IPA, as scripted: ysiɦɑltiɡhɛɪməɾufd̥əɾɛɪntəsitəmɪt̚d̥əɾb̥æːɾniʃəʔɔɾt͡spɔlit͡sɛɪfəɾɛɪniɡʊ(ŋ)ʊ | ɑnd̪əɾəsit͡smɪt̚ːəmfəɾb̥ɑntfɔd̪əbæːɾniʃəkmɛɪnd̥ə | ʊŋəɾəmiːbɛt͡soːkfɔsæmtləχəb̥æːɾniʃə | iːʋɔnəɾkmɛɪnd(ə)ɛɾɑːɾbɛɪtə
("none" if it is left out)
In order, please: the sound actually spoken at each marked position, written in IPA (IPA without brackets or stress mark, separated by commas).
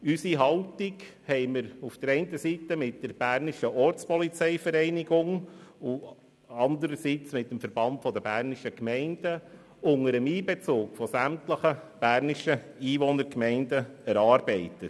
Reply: ŋ, ə